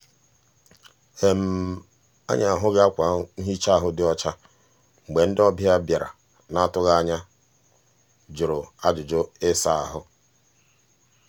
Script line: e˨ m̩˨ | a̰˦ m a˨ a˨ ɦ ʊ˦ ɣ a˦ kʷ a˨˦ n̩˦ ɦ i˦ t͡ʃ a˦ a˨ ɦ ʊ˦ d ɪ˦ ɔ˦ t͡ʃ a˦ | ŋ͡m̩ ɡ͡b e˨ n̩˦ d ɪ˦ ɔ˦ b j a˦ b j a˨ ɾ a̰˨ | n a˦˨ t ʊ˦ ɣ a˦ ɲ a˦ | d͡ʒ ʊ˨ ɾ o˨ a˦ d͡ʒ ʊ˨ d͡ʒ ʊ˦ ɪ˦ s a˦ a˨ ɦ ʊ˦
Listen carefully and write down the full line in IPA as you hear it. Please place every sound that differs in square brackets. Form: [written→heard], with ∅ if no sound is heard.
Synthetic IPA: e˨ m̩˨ | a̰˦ [m→ɲ] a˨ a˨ ɦ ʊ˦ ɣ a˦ kʷ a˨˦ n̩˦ ɦ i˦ t͡ʃ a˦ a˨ ɦ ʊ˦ d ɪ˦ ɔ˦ t͡ʃ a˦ | ŋ͡m̩ ɡ͡b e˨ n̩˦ d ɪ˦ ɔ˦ b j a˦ b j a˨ ɾ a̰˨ | n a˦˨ t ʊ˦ ɣ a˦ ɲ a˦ | d͡ʒ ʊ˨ ɾ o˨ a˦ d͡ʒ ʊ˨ d͡ʒ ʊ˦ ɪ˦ s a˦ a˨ ɦ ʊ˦